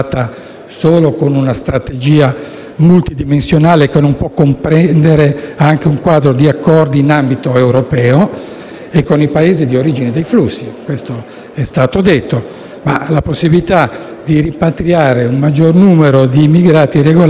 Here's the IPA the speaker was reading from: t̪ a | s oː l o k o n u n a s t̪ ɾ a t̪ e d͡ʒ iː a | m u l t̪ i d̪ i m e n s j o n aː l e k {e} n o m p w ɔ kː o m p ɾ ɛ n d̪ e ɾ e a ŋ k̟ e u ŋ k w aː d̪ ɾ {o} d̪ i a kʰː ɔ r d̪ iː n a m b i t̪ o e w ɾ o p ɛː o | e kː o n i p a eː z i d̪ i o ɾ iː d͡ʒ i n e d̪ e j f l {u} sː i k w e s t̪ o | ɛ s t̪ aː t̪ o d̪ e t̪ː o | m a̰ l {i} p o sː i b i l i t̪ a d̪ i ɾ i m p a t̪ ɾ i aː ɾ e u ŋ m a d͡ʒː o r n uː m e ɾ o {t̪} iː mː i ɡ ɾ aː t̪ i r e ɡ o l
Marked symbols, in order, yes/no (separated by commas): yes, yes, yes, no, no